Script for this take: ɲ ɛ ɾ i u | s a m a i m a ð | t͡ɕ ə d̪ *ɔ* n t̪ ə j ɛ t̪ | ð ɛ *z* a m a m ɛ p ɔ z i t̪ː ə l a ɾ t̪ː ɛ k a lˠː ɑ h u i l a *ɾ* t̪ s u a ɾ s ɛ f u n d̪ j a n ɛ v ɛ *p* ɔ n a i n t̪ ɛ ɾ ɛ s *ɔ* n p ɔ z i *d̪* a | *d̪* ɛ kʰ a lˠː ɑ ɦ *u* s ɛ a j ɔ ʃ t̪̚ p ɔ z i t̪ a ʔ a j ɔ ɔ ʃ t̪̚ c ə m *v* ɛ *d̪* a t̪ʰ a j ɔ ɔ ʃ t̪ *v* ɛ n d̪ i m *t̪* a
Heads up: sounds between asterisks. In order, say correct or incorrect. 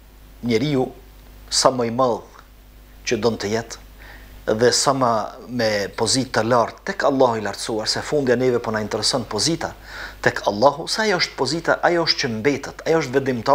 correct, incorrect: s, correct, correct, correct, incorrect: t̪, incorrect: t̪, correct, incorrect: b, incorrect: t̪, correct, correct

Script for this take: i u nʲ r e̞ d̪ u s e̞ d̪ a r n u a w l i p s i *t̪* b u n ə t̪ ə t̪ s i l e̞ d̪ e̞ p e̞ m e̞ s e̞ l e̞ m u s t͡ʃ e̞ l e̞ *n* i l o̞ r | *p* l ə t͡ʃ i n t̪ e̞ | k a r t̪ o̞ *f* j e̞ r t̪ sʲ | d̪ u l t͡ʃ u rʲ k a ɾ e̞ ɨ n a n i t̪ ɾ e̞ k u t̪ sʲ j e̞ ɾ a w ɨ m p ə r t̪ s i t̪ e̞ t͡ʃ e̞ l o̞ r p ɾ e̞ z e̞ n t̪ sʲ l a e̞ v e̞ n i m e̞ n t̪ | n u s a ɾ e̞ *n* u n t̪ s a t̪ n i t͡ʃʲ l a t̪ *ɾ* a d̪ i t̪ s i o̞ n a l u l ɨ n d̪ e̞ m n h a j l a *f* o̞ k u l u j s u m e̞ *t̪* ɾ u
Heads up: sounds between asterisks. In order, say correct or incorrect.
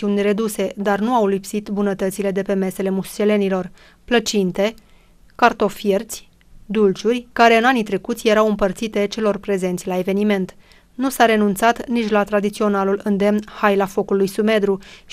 correct, correct, correct, correct, correct, correct, correct, incorrect: d̪

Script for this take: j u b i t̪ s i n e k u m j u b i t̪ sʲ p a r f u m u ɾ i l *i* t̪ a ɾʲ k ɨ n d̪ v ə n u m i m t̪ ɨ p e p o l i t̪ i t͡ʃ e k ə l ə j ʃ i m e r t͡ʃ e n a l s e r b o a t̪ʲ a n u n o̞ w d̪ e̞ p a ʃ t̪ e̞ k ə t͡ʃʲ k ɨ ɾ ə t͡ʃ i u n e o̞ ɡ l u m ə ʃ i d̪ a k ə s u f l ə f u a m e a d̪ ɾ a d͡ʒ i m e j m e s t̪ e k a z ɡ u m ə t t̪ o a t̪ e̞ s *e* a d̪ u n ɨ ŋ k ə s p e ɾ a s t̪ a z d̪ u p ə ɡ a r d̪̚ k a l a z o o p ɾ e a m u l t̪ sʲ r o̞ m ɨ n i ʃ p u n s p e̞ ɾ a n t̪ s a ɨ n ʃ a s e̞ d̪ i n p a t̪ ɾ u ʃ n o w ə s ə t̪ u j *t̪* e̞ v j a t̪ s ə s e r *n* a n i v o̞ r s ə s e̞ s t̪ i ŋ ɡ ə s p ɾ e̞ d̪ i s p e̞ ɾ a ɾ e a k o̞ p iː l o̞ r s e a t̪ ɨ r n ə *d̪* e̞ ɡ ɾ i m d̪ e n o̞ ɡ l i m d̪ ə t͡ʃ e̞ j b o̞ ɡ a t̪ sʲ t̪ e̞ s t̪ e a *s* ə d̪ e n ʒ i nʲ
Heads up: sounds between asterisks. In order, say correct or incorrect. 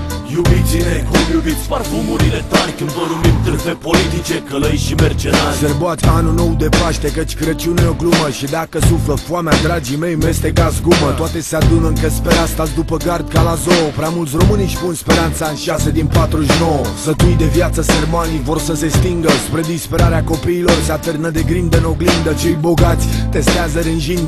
incorrect: e, correct, incorrect: d̪, incorrect: m, correct, incorrect: z

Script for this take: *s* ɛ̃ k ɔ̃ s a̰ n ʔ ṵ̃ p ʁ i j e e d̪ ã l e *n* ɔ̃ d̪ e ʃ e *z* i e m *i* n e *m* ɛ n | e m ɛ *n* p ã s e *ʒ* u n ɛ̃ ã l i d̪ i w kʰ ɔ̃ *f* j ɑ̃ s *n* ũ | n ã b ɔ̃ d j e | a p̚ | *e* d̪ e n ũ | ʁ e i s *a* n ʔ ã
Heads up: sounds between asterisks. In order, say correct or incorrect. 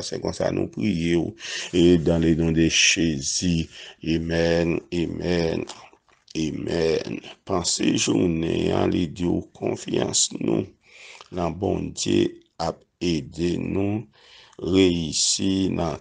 correct, correct, correct, incorrect: ɛ, correct, correct, correct, correct, correct, correct, incorrect: i

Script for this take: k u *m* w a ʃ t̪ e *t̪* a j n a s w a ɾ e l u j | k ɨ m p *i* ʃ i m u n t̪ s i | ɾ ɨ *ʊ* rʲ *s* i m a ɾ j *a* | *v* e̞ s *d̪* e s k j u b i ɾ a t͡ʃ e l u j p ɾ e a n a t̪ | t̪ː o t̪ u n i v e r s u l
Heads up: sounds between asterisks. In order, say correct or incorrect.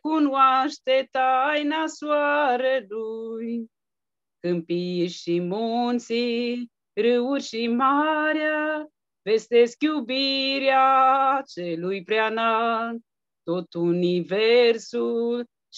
incorrect: n, correct, correct, incorrect: u, incorrect: ʃ, correct, correct, incorrect: t̪

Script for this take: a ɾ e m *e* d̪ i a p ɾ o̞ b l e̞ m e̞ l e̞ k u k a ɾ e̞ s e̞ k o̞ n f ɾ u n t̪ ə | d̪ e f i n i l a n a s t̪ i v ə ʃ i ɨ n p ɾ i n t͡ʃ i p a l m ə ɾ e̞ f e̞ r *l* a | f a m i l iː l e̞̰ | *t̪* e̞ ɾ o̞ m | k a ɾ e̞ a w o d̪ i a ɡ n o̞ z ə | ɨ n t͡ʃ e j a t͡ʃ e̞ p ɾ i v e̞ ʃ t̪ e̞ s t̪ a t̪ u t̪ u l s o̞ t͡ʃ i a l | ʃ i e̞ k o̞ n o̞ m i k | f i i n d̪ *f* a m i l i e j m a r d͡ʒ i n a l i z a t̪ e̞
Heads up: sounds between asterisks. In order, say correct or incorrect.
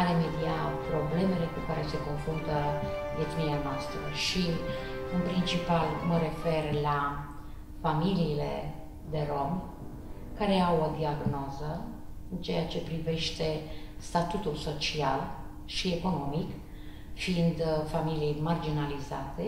correct, correct, incorrect: d̪, correct

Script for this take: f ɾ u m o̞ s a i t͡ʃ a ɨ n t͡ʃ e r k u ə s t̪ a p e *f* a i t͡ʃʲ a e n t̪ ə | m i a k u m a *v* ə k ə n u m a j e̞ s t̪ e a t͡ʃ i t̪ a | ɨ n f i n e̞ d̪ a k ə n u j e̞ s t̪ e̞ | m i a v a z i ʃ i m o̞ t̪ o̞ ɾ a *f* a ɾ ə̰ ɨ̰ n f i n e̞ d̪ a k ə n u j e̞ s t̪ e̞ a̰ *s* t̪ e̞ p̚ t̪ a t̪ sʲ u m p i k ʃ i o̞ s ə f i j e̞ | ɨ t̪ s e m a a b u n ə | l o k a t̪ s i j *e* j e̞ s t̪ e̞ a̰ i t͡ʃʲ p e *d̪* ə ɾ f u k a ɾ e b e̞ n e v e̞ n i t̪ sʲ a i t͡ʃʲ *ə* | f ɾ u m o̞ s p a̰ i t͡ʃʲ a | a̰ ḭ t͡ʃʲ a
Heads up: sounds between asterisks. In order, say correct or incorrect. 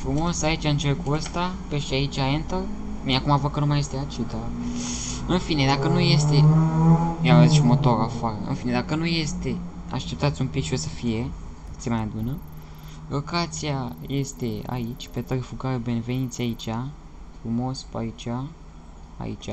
incorrect: ʃ, correct, correct, incorrect: ʃ, incorrect: a, incorrect: t̪, incorrect: a

